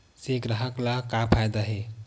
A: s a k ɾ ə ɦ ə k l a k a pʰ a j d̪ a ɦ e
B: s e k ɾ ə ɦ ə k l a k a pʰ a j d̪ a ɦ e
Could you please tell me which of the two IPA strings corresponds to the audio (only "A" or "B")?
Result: B